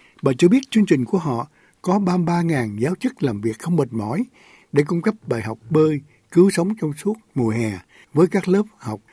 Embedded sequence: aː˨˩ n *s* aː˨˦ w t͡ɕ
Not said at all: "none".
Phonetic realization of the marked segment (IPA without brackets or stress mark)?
z